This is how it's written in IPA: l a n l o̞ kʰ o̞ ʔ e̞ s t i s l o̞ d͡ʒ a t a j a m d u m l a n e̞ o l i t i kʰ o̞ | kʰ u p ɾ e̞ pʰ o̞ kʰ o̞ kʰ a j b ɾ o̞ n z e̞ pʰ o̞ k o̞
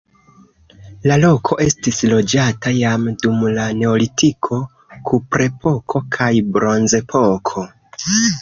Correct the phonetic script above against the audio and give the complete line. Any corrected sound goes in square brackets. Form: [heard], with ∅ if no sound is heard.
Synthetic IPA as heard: l a [∅] l o̞ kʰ o̞ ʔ e̞ s t i s l o̞ d͡ʒ a t a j a m d u m l a n e̞ o l i t i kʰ o̞ | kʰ u p ɾ e̞ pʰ o̞ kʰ o̞ kʰ a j b ɾ o̞ n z e̞ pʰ o̞ [kʰ] o̞